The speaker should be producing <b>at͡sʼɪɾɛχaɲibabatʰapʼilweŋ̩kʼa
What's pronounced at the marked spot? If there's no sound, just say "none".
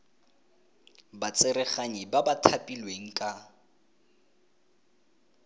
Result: b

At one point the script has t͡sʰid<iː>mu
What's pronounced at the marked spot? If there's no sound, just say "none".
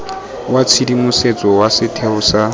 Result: i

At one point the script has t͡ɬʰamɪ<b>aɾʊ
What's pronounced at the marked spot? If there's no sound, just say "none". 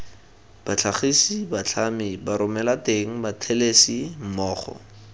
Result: b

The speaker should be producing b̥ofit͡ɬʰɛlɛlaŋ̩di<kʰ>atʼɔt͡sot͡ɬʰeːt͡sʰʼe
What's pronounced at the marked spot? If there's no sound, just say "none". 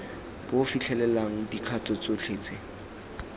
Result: kʰ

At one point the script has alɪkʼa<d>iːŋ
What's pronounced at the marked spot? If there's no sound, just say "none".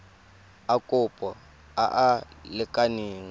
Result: n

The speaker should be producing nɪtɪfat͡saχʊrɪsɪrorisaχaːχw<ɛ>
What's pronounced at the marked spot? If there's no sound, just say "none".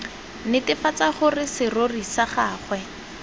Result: ɛ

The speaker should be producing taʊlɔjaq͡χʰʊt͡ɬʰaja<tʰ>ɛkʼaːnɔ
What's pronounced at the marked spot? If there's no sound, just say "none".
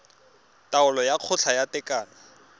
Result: t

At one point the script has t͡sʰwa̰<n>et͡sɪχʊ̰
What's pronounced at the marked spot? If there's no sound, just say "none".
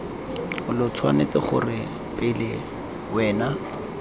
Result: n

